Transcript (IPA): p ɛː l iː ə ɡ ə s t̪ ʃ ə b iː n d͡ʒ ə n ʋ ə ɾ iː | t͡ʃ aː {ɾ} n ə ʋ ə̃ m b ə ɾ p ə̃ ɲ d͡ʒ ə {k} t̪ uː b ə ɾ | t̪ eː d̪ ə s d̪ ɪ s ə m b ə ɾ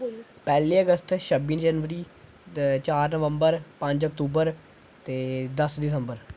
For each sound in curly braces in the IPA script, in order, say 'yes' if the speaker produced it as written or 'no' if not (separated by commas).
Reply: yes, yes